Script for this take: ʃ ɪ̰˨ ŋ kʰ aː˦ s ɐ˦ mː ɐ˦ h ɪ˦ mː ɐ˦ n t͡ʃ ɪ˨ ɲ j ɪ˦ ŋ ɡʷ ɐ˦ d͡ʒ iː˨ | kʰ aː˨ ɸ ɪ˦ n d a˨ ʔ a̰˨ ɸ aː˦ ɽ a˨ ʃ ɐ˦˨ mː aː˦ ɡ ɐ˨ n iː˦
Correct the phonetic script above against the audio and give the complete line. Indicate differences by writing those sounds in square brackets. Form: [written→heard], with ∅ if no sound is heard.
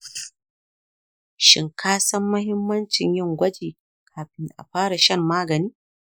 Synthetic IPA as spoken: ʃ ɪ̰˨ ŋ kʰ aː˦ s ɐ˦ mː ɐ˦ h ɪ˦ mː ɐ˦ n t͡ʃ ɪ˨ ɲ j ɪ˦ ŋ ɡʷ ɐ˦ d͡ʒ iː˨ | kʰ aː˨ ɸ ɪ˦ n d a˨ ʔ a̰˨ ɸ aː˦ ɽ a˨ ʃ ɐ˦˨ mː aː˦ ɡ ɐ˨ n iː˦